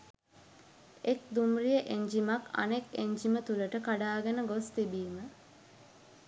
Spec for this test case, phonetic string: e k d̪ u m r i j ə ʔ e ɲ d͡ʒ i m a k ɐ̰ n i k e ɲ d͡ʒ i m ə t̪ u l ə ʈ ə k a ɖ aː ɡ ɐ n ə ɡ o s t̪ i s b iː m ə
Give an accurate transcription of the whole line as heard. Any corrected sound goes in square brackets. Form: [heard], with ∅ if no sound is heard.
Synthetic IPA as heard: e k d̪ u m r i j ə ʔ e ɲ d͡ʒ i m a k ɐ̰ n [e] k e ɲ d͡ʒ i m ə t̪ u l ə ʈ ə k a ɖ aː ɡ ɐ n ə ɡ o s t̪ i [∅] b iː m ə